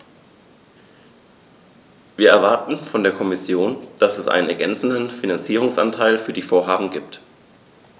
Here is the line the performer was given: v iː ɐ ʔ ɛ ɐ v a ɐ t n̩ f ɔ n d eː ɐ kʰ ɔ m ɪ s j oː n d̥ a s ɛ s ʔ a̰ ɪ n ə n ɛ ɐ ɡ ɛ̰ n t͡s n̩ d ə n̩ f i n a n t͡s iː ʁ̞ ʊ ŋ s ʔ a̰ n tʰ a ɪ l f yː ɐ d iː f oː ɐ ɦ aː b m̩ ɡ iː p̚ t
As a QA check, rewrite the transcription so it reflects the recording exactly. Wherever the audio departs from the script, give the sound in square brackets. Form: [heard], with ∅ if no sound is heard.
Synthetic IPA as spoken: v iː ɐ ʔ ɛ ɐ v a ɐ t n̩ f ɔ n d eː ɐ kʰ ɔ m ɪ s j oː n d̥ a s ɛ s ʔ a̰ ɪ n ə n ɛ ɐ ɡ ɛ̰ n t͡s n̩ d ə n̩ f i n a n t͡s iː ʁ̞ ʊ ŋ s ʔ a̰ n tʰ a ɪ l f yː ɐ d iː f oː ɐ ɦ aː b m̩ ɡ iː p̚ t